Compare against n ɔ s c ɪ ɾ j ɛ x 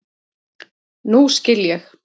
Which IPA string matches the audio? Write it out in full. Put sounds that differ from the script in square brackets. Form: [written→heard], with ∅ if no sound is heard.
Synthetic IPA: n [ɔ→u] s c ɪ [ɾ→l] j ɛ x

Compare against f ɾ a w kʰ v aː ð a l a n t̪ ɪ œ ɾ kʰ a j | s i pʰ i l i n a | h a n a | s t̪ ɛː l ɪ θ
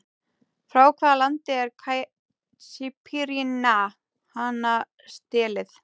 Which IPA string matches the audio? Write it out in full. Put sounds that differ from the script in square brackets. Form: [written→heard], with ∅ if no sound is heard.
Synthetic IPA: f ɾ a w kʰ v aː ð a l a n t̪ ɪ [œ→ɛ] ɾ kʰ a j | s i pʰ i [l→ɾ] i n a | h a n a | s t̪ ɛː l ɪ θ

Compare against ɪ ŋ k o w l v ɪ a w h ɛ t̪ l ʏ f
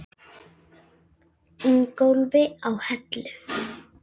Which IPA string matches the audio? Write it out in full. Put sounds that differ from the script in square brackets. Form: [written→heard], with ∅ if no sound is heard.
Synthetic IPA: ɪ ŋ k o w l v ɪ a w h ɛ t̪ l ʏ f

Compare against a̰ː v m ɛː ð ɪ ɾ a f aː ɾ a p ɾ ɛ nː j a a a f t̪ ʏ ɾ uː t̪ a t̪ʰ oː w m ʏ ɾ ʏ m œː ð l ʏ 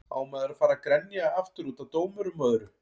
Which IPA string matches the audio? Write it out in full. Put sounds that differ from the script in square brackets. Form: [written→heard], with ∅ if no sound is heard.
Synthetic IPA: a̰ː [v→w] m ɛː ð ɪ ɾ a f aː ɾ a [p→k] ɾ ɛ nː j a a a f t̪ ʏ ɾ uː t̪ a [t̪ʰ→t̪] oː w m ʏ ɾ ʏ m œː ð [l→ɾ] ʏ

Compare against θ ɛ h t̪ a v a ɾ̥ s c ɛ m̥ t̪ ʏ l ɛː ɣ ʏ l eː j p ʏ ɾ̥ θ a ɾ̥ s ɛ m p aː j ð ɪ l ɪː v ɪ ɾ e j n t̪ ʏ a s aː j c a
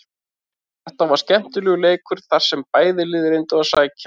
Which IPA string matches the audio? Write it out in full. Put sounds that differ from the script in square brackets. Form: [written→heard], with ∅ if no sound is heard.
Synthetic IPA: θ ɛ h t̪ a v a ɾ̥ s c ɛ m̥ t̪ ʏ l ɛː ɣ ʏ l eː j [p→k] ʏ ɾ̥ θ a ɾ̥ s ɛ m p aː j ð ɪ l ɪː [v→ð] ɪ ɾ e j n t̪ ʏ a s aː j c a

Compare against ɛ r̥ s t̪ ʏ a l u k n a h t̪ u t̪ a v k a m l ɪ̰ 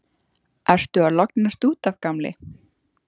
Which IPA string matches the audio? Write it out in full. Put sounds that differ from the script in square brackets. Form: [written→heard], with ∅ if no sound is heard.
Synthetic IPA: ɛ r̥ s t̪ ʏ a l [u→ɔ] k n a [h→s] t̪ [u→uː] t̪ a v k a m l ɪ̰

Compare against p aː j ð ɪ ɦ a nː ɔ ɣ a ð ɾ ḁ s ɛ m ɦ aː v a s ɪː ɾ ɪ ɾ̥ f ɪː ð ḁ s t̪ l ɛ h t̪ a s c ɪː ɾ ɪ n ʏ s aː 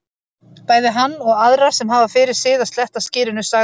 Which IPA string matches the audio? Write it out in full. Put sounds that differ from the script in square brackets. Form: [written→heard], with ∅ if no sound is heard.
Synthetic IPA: p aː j ð ɪ ɦ a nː ɔ ɣ a ð ɾ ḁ s ɛ m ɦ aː v a [s→f] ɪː ɾ ɪ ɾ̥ [f→s] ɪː ð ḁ s t̪ l ɛ h t̪ a s c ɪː ɾ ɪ n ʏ s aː

